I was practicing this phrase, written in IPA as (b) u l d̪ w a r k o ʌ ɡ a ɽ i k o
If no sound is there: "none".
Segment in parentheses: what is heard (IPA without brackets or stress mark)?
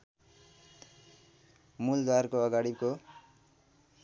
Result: m